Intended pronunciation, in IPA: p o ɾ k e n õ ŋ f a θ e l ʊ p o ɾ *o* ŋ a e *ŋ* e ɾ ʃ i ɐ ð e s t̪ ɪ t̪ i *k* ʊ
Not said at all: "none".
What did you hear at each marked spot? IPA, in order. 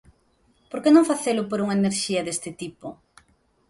u, n, p

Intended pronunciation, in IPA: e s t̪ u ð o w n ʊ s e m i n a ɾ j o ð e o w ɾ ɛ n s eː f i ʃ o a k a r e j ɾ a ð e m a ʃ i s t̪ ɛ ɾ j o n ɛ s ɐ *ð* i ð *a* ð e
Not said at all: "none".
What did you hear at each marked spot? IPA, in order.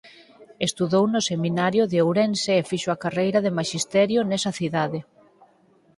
θ, a

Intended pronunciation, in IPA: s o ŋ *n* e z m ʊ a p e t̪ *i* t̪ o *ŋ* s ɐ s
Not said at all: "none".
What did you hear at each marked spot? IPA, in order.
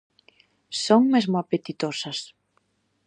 m, i, none

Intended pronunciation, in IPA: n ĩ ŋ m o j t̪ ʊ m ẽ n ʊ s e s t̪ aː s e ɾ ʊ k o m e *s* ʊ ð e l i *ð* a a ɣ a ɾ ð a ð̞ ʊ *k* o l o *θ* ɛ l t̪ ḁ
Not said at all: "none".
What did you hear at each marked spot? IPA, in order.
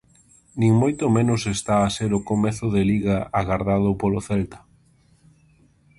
θ, ɣ, p, θ

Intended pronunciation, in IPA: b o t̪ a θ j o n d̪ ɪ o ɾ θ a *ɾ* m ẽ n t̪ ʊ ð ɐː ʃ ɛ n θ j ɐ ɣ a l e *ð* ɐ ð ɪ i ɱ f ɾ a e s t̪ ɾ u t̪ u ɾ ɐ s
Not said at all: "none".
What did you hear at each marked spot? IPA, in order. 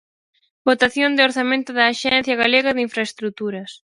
none, ɣ

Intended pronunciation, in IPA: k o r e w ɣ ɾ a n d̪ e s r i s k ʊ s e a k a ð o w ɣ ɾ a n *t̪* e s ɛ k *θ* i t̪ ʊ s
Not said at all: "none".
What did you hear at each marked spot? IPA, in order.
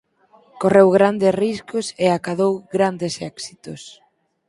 d̪, s

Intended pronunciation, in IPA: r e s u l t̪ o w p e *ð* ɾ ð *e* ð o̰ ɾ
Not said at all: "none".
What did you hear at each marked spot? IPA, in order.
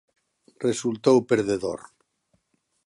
none, e

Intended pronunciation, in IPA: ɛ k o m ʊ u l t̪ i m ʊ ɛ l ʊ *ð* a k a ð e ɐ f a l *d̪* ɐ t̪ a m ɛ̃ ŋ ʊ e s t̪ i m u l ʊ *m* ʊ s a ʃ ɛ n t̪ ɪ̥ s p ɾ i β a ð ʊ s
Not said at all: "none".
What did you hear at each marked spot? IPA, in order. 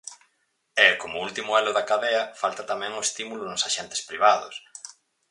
ð, t̪, n

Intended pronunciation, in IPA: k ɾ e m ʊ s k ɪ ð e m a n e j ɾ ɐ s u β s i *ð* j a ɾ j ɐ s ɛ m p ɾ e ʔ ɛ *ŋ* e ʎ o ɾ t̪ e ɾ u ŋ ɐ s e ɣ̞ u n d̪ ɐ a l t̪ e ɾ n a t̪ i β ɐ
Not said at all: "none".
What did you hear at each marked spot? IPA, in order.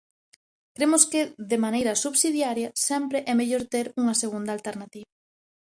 ð, m

